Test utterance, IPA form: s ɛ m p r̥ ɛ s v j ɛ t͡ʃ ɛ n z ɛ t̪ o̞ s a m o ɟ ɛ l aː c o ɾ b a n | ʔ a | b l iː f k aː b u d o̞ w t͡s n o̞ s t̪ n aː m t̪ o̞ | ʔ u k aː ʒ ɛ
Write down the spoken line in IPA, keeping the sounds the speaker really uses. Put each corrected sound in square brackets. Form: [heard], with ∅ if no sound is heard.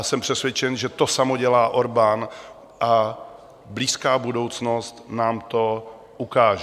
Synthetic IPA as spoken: s ɛ m p r̥ ɛ s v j ɛ t͡ʃ ɛ n [ʒ] ɛ t̪ o̞ s a m o ɟ ɛ l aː [ʔ] o ɾ b a n | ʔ a | b l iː [s] k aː b u d o̞ w t͡s n o̞ s t̪ n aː m t̪ o̞ | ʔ u k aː ʒ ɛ